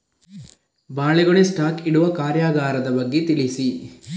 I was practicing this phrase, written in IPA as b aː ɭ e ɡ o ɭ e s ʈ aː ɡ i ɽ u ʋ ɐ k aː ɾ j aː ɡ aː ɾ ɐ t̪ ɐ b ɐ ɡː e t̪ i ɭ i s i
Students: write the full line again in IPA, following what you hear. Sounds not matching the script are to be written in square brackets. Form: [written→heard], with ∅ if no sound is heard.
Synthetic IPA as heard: b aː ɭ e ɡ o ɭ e s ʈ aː [ɡ→k] i ɽ u ʋ ɐ k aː ɾ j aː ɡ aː ɾ ɐ [t̪→d̪] ɐ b ɐ ɡː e t̪ i ɭ i s i